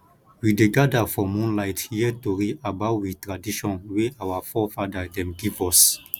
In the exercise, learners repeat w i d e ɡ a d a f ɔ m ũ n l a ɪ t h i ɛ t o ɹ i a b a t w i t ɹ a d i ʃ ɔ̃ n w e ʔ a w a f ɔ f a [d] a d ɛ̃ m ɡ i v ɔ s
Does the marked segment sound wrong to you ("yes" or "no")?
no